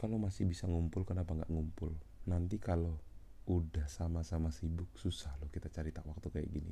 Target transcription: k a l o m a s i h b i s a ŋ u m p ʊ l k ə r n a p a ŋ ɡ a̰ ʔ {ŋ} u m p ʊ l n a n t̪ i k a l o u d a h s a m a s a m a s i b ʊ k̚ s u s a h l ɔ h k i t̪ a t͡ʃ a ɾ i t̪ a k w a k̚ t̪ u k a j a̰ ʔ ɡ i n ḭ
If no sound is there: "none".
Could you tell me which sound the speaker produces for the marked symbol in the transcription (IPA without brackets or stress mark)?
ŋ